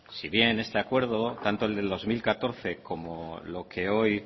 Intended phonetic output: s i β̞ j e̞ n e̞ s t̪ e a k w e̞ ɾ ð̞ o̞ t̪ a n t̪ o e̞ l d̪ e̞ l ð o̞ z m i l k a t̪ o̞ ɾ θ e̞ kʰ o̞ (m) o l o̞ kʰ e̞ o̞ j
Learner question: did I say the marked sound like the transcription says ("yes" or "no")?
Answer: yes